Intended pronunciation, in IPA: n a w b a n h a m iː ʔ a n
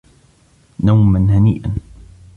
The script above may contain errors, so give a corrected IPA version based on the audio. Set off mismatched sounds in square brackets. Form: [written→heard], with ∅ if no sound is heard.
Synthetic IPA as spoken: n a w [b→m] a n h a [m→n] iː ʔ a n